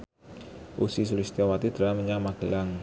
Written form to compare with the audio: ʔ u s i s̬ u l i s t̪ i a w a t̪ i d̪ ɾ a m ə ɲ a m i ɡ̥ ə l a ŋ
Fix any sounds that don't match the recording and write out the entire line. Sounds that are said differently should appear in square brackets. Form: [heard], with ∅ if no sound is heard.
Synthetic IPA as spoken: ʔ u s i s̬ u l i s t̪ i a w a t̪ i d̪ ɾ a m ə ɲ a m [a] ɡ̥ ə l a ŋ